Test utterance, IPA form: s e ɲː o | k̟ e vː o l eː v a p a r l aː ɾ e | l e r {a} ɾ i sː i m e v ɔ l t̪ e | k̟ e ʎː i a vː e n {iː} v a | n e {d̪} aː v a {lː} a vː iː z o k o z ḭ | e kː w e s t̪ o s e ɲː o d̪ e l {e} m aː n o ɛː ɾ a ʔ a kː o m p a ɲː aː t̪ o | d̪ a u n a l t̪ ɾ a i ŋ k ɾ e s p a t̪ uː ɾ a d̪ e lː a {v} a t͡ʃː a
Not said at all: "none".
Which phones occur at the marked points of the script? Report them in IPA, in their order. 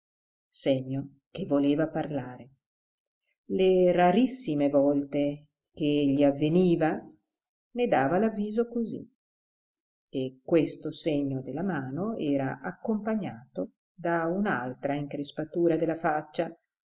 a, iː, d̪, l, a, f

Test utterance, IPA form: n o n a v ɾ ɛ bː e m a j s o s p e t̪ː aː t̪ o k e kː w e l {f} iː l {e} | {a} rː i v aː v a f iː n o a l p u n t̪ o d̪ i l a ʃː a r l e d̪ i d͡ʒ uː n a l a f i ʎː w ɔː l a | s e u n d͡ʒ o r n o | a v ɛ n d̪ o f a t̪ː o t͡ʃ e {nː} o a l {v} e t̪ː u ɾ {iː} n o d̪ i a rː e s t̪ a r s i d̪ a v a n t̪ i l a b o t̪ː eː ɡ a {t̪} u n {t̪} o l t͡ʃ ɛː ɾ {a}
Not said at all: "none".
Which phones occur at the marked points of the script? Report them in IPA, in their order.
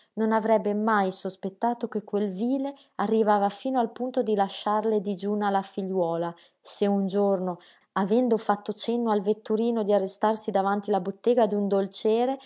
v, e, a, nː, v, iː, d̪, d̪, e

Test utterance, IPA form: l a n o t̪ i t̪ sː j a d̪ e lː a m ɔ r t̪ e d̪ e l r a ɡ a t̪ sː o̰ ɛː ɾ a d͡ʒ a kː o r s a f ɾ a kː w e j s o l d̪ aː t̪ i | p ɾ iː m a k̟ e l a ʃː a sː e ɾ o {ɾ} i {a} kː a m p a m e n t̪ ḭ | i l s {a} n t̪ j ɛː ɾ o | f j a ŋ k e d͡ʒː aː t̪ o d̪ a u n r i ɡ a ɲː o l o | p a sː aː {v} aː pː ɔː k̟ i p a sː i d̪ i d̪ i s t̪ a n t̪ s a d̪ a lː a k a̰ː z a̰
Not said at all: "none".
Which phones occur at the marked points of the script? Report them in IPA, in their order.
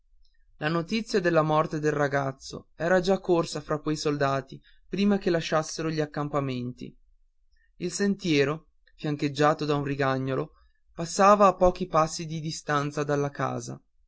ʎ, a, e, v

